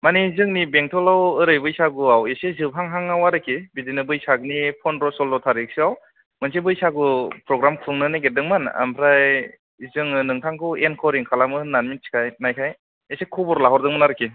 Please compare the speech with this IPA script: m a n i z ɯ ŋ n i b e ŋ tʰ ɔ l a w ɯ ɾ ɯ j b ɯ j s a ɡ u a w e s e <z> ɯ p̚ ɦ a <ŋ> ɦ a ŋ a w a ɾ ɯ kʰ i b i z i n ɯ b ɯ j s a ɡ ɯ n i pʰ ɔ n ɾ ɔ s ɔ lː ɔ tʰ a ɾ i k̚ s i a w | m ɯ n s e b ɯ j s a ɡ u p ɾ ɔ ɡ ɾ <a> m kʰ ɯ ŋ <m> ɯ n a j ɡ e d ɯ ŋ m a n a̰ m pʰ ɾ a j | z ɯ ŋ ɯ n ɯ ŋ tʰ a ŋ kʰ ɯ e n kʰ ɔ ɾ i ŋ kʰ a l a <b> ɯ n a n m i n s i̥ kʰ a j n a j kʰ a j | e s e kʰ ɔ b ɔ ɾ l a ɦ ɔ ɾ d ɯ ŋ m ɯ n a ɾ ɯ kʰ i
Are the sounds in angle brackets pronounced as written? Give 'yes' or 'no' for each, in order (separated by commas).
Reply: yes, yes, yes, no, no